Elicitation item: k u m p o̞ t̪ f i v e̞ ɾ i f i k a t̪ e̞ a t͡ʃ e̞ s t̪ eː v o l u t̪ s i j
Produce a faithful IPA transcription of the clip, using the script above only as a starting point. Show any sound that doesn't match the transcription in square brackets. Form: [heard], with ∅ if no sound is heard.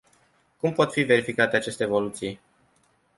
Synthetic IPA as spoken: k u m p o̞ t̪ f i v e̞ ɾ i f i k a t̪ e̞ a t͡ʃ e̞ s t̪ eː v o l u t̪ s i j